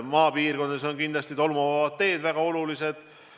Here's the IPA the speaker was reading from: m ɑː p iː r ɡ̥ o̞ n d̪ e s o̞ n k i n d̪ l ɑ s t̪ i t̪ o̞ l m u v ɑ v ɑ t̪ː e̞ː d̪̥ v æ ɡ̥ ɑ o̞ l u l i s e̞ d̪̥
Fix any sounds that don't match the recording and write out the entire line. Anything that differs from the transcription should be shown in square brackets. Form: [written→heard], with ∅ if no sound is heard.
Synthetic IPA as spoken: m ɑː p iː r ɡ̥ o̞ n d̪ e s o̞ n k i n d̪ l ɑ s t̪ i t̪ o̞ l m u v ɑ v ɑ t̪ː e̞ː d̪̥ v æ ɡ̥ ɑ o̞ l u l i s e̞ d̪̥